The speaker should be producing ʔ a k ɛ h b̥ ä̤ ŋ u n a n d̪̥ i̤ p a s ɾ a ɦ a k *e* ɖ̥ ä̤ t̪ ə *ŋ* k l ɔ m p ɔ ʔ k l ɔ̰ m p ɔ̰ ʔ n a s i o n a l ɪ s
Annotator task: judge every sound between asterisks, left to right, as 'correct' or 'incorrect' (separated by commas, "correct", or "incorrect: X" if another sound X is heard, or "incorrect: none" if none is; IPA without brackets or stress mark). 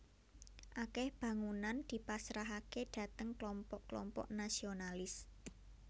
correct, correct